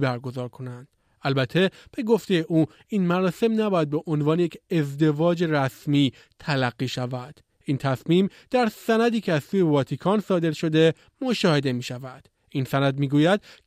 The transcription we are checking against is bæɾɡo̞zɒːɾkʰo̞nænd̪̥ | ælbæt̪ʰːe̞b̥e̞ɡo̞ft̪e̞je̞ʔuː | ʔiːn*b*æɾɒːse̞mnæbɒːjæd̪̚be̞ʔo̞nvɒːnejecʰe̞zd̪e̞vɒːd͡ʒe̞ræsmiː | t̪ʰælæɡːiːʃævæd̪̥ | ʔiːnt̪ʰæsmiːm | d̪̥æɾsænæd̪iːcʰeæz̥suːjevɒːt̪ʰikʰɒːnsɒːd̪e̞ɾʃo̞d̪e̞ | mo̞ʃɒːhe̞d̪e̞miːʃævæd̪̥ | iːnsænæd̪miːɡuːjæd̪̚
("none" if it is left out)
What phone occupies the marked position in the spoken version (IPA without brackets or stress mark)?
m